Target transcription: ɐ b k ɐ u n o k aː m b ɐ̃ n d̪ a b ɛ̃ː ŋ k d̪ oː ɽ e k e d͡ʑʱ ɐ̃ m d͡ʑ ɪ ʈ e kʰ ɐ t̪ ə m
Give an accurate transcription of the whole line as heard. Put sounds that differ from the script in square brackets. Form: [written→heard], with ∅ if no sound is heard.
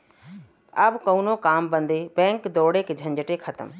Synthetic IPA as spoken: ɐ b k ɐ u n o k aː m b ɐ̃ n d̪ [a→e] b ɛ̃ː ŋ k d̪ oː ɽ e k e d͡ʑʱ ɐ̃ [m→ɲ] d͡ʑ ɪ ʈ e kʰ ɐ t̪ ə m